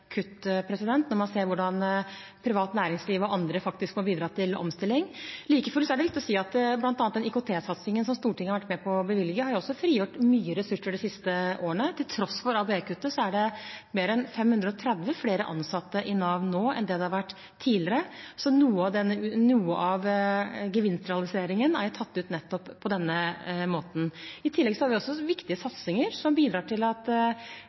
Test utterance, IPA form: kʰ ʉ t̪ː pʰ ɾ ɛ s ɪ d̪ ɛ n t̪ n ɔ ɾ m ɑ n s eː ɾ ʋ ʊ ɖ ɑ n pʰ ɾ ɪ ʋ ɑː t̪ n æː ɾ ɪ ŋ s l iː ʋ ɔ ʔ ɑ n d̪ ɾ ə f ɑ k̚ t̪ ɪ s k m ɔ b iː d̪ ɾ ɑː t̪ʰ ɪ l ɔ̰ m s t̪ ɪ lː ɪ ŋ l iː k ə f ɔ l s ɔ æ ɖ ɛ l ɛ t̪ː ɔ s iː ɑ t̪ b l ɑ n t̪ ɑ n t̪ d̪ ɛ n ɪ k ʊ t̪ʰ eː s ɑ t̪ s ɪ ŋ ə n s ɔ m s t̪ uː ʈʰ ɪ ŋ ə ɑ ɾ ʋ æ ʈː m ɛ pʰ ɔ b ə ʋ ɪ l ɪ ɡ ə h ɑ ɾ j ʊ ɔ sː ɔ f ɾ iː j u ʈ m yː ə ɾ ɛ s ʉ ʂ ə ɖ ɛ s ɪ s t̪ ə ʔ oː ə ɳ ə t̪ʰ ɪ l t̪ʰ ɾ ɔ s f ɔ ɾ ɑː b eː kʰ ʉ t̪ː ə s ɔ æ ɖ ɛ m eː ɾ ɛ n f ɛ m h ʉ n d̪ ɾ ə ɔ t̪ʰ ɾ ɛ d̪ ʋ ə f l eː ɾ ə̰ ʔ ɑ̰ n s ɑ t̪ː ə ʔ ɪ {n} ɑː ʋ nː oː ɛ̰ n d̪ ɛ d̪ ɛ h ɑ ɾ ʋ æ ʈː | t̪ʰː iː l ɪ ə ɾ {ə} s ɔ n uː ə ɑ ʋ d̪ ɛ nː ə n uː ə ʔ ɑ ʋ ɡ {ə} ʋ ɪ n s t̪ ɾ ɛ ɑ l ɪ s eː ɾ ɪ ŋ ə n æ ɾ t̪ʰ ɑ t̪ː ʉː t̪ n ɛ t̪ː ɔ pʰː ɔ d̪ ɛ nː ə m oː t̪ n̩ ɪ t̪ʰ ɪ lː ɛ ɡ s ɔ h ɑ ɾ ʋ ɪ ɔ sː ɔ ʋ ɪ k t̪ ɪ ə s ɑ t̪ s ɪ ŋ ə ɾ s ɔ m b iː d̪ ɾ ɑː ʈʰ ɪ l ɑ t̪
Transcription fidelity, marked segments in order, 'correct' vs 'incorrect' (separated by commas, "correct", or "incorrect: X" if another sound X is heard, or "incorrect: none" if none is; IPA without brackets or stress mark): correct, correct, correct